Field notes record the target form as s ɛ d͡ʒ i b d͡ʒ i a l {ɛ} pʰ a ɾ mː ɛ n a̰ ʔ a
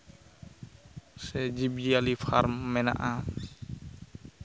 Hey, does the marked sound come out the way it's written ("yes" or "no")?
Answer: no